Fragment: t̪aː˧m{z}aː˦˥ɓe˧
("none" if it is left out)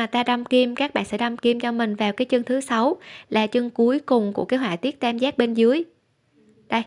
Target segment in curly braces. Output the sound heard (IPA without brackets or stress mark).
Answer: z